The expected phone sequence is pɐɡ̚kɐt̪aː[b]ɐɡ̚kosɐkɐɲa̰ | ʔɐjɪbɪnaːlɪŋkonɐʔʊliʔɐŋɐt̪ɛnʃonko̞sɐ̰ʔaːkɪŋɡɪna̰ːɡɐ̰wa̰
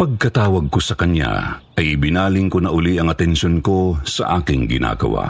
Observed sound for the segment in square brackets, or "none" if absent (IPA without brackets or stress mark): w